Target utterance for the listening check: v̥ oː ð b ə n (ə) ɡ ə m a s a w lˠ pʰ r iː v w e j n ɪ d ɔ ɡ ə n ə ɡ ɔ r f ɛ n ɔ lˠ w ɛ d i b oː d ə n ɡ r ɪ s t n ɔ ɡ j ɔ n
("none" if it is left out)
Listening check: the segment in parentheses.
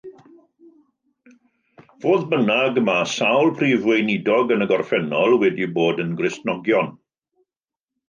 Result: a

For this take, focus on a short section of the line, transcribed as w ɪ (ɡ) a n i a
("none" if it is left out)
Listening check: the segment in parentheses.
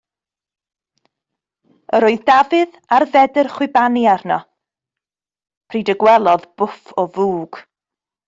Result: b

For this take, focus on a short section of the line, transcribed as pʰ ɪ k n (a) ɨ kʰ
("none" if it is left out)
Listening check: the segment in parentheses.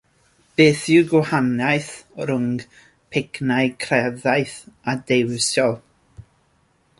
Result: a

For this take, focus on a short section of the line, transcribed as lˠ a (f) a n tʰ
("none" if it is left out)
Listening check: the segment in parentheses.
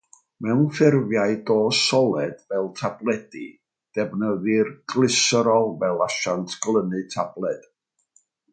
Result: ʃ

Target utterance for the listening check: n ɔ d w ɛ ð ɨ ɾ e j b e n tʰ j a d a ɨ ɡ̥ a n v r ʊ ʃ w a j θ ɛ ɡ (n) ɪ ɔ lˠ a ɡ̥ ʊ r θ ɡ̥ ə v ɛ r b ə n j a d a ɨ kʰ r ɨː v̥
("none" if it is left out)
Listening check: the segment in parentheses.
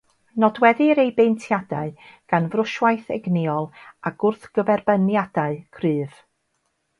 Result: n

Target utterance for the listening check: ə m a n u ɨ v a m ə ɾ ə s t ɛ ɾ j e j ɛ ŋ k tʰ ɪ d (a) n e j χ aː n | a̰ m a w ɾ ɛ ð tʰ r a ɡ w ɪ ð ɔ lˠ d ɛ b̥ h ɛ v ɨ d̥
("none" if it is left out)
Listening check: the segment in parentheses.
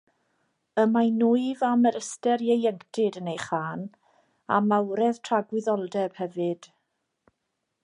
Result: ə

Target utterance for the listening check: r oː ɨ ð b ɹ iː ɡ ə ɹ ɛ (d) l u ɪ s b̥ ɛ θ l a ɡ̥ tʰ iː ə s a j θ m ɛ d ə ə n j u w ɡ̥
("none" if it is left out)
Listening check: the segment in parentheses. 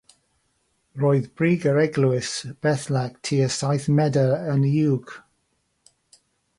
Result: ɡ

